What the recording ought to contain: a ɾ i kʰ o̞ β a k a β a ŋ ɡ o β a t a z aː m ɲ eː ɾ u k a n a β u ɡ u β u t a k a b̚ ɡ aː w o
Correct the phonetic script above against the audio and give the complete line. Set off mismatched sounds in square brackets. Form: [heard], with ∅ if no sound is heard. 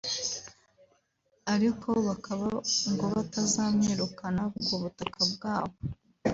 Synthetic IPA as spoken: a ɾ i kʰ o̞ β a k a β a ŋ ɡ o β a t a z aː m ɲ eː ɾ u k a n a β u ɡ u β u t a k a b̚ ɡ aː [β] o

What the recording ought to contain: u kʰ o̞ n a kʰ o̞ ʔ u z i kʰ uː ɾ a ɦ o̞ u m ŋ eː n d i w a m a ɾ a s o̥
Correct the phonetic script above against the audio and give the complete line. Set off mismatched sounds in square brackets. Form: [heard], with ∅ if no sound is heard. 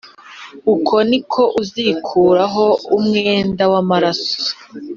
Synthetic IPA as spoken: u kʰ o̞ n [i] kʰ o̞ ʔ u z i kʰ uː ɾ a ɦ o̞ u m ŋ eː n d [a] w a m a ɾ a s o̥

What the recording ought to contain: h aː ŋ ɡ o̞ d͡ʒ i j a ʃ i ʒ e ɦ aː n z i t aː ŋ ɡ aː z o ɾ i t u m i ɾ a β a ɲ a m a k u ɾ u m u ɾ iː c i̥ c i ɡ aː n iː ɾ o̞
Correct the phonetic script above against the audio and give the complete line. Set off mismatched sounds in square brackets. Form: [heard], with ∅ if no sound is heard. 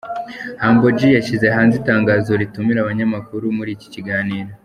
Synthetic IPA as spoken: h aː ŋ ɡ o̞ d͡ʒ i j a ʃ i [z] e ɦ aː n z i t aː ŋ ɡ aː z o ɾ i t u m i ɾ a β a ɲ a m a k u ɾ u m u ɾ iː c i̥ c i ɡ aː n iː ɾ o̞

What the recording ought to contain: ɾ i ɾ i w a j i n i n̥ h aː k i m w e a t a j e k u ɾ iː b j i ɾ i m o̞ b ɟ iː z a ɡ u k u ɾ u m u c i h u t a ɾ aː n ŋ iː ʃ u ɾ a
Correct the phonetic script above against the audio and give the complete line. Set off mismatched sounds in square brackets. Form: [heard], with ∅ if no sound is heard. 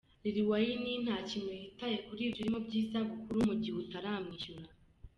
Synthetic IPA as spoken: ɾ i ɾ i w a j i n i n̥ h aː [c] i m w e [i] t a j e k u ɾ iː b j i ɾ i m o̞ b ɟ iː z a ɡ u k u ɾ u m u [ɟ] i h u t a ɾ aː [m] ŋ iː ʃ u ɾ a

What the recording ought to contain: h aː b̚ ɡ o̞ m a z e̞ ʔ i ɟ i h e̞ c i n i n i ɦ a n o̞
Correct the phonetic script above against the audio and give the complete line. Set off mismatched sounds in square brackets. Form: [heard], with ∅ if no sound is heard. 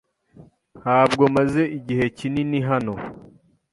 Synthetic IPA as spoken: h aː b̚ ɡ o̞ m a z e̞ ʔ i ɟ i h e̞ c i n i n i ɦ a n o̞

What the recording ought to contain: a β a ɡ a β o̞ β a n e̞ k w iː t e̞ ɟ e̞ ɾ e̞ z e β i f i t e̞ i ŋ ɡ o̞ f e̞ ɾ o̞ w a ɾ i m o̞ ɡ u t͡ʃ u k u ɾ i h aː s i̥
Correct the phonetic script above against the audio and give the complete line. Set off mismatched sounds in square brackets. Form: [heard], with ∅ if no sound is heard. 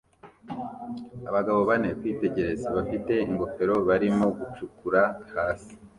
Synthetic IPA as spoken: a β a ɡ a β o̞ β a n e̞ k w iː t e̞ ɟ e̞ ɾ e̞ z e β [a] f i t e̞ i ŋ ɡ o̞ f e̞ ɾ o̞ [β] a ɾ i m o̞ ɡ u t͡ʃ u k u ɾ [a] h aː s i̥

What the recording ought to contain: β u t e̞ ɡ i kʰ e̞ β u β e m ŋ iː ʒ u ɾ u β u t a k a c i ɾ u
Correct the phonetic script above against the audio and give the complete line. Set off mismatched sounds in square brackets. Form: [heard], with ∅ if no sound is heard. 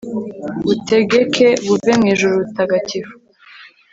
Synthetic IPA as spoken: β u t e̞ ɡ [e] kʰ e̞ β u [v] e m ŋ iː ʒ u ɾ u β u t a [ɡ] a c i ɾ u

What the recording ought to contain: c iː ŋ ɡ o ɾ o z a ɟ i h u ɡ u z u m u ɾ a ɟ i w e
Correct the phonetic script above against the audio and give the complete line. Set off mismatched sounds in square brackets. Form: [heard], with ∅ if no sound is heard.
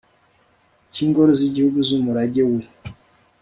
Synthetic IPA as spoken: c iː ŋ ɡ o ɾ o z [i] ɟ i h u ɡ u z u m u ɾ a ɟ [e] w e

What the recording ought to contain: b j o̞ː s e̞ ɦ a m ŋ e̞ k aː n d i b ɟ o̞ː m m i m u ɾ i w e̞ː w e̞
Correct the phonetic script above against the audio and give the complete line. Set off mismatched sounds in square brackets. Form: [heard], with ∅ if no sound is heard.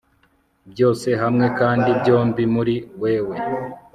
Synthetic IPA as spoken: b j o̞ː s e̞ ɦ a m ŋ e̞ k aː n d i b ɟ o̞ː m [b] i m u ɾ i w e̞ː w e̞

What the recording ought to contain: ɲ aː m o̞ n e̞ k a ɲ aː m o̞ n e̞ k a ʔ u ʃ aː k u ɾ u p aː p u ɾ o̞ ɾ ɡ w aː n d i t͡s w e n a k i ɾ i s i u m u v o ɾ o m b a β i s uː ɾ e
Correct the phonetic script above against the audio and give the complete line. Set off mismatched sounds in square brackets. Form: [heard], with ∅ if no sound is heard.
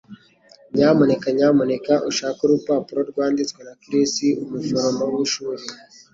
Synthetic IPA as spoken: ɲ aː m o̞ n e̞ k a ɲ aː m o̞ n e̞ k a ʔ u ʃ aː k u ɾ u p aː p u ɾ o̞ ɾ ɡ w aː n d i t͡s w e n a k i ɾ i s i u m u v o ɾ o m b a [w] i [ʃ] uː ɾ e

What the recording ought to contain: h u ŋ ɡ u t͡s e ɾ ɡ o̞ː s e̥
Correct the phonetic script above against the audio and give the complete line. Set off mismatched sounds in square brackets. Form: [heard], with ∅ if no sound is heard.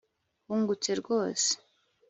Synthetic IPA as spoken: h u ŋ ɡ u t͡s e ɾ ɡ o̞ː s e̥

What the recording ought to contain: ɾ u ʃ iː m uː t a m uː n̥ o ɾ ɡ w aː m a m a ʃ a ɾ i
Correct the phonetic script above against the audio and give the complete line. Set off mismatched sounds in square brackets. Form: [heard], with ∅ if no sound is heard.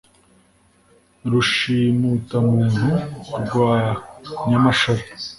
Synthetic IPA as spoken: ɾ u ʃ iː m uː t a m uː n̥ [u] ɾ ɡ w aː [ɲ] a m a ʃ a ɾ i

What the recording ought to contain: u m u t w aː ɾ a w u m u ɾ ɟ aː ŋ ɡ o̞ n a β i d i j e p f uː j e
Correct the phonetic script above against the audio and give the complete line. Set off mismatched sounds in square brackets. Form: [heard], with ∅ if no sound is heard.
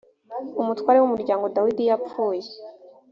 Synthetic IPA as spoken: u m u t w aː ɾ [e] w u m u ɾ ɟ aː ŋ ɡ o̞ [d] a [w] i d i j [a] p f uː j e

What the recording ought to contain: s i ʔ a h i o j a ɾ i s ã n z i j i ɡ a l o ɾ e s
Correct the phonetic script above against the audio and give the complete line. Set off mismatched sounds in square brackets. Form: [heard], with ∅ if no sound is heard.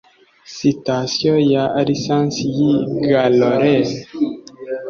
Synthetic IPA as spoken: s i [t] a [s] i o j a ɾ i s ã n [s] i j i ɡ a l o ɾ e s

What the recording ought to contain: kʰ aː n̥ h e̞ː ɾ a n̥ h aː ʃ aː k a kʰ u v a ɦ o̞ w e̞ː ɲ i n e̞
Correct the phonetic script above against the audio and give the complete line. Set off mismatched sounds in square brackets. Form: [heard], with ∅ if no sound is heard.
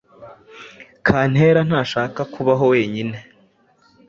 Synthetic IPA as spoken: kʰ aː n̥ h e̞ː ɾ a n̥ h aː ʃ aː k a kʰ u [β] a ɦ o̞ w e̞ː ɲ i n e̞

